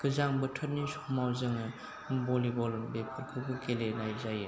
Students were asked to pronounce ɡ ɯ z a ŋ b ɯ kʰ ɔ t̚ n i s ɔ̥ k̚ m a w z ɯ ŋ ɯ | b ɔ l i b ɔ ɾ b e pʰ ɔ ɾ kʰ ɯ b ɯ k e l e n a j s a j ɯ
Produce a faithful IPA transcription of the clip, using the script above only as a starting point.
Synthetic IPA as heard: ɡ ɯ z a ŋ b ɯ tʰ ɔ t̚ n i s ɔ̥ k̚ m a w z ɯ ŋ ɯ | b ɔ l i b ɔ l b e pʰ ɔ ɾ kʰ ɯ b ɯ k e l e n a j z a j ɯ